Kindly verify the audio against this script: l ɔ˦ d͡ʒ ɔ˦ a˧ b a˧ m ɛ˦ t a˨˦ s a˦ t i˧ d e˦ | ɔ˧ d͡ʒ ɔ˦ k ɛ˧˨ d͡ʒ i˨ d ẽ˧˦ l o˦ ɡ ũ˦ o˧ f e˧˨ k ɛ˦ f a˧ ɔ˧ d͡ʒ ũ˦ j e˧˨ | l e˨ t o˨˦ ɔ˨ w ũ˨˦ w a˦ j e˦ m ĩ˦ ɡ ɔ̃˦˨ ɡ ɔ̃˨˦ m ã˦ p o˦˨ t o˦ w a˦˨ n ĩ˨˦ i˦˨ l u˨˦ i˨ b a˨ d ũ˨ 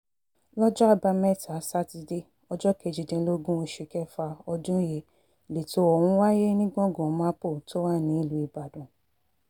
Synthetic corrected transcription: l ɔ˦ d͡ʒ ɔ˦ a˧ b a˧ m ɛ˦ t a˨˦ s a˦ t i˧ d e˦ | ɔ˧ d͡ʒ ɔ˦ k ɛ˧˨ d͡ʒ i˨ d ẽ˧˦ l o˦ ɡ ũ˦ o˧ ʃ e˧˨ k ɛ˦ f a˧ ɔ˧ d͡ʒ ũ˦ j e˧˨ | l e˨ t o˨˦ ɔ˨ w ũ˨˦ w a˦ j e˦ n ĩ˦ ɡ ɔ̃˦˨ ɡ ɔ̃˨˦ m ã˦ p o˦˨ t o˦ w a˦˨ n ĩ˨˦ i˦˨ l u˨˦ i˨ b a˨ d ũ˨